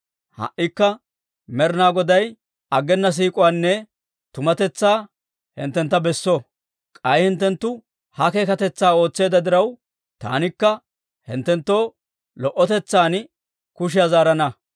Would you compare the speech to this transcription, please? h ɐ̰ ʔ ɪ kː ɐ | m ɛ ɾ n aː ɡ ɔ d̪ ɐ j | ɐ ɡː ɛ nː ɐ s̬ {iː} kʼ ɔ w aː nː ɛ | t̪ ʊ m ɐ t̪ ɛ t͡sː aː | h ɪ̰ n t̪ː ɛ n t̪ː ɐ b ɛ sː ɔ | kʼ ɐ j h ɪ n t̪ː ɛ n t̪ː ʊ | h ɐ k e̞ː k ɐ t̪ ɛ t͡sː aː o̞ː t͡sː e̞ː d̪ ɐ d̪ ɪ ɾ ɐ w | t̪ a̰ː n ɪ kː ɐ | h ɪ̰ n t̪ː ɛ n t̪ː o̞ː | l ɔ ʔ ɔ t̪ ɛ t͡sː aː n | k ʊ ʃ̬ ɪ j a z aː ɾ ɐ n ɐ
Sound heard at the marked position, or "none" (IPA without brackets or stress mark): iː